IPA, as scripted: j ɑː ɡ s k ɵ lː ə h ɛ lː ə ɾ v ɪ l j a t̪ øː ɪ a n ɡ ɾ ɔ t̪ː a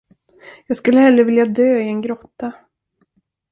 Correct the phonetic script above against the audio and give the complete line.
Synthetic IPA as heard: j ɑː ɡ s k ɵ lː ə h ɛ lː ə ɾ v ɪ l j a d̪ øː ɪ ɛ n ɡ ɾ ɔ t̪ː a